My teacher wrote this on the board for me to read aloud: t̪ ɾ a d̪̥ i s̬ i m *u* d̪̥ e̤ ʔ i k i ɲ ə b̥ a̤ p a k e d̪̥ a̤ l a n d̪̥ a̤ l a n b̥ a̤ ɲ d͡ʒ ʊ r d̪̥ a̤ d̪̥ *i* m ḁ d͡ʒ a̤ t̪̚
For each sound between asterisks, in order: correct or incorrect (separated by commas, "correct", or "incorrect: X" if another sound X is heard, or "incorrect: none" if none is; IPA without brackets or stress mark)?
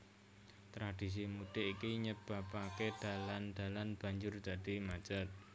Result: correct, correct